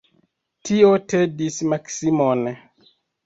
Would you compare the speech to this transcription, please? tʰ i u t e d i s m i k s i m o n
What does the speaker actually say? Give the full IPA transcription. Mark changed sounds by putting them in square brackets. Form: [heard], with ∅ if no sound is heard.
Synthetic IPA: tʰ i [o] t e d i s m [a] k s i m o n